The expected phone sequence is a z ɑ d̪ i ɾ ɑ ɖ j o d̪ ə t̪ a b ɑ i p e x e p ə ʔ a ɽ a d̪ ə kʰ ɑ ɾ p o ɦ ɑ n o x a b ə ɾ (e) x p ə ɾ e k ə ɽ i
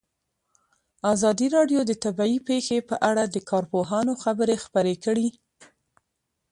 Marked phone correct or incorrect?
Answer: correct